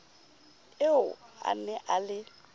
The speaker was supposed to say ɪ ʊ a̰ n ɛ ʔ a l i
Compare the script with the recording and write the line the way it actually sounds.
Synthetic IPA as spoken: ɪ ʊ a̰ n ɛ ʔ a l ɪ